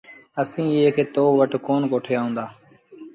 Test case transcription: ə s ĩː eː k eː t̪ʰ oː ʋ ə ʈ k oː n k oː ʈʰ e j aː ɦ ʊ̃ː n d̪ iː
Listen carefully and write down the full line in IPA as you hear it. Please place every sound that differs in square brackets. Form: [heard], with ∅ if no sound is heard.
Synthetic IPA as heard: ə s ĩː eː k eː [t̪] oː ʋ ə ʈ k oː n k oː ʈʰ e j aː ɦ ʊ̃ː n d̪ [aː]